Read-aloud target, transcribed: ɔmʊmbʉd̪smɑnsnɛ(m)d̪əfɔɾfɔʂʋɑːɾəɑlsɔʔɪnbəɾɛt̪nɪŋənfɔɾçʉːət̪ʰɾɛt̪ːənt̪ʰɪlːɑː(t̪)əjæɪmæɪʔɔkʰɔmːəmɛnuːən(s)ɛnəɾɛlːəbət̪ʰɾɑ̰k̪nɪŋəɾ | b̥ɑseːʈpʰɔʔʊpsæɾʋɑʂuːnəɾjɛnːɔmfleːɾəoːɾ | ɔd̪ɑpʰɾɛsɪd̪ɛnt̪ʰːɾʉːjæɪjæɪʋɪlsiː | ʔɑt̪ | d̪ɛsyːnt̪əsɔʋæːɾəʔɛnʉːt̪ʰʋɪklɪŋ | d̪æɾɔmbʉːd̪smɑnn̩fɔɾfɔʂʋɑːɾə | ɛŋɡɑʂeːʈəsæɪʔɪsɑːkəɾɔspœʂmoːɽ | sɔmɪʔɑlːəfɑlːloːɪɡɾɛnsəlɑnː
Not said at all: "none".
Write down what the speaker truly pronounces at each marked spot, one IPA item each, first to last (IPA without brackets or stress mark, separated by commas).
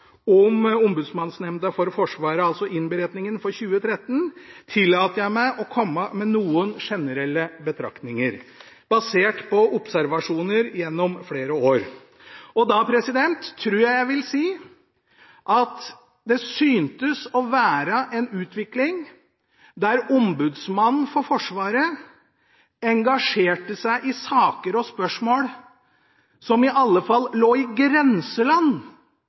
m, t̪, ʂ